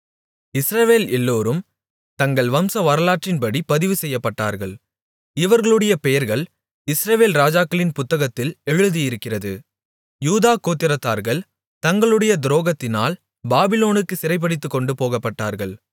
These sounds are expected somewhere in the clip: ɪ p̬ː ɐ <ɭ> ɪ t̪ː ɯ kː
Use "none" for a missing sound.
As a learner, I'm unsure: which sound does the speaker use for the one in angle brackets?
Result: ɽ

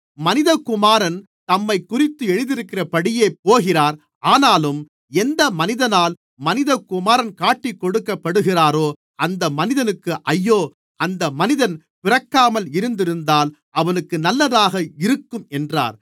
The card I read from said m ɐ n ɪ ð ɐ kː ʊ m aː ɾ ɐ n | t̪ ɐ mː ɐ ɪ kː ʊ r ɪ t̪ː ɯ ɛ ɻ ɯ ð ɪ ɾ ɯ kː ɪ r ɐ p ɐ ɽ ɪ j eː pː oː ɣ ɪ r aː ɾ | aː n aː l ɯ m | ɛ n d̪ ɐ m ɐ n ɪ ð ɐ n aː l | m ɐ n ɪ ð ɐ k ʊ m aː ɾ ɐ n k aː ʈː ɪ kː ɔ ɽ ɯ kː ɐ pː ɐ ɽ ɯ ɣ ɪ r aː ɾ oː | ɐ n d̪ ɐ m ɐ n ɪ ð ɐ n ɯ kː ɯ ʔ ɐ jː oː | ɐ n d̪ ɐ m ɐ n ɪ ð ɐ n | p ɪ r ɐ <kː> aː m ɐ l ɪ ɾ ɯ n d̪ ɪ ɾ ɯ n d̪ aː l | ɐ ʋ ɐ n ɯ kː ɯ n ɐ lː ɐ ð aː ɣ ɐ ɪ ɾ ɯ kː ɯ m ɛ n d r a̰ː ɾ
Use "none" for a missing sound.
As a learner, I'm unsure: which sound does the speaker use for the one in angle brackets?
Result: kː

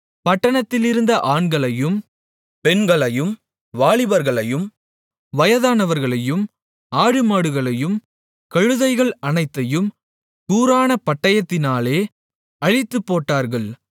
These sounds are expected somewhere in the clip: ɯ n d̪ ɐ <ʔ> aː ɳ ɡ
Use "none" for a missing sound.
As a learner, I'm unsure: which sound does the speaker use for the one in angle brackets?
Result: ʔ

